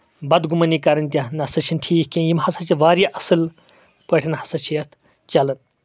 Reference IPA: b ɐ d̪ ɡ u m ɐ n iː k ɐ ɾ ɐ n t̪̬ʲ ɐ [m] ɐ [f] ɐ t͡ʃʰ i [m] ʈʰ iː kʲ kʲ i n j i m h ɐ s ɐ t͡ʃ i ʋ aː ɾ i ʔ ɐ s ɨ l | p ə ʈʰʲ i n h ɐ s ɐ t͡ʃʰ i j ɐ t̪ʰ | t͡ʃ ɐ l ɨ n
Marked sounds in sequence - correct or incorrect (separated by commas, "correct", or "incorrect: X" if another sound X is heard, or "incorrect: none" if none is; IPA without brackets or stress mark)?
incorrect: n, incorrect: s, incorrect: n